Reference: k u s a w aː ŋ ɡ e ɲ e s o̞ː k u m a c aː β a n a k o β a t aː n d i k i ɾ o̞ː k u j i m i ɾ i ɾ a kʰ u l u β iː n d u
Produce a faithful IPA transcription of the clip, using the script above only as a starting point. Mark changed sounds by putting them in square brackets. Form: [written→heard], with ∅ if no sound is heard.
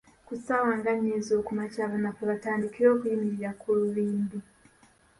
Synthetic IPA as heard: k u s a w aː ŋ ɡ [e→a] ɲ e [s→z] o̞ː k u m a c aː β a n a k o β a t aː n d i k i ɾ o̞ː k u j i m i ɾ i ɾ a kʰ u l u β iː n d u